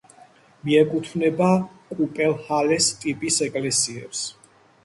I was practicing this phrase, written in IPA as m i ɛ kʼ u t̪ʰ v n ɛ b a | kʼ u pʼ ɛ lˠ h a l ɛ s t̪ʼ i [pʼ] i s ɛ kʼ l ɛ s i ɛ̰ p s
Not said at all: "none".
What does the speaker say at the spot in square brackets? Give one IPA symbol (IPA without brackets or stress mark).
pʼ